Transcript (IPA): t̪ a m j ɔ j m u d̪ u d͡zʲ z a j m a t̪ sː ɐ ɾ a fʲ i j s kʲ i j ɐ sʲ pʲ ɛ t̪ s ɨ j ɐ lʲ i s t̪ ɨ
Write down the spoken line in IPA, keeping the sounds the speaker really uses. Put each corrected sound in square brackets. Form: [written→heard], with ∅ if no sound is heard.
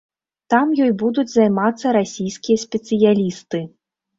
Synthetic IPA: t̪ a m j ɔ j [m→b] u d̪ u d͡zʲ z a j m a t̪ sː ɐ ɾ a [fʲ→sʲ] i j s kʲ i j ɐ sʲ pʲ ɛ t̪ s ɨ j [ɐ→a] lʲ i s t̪ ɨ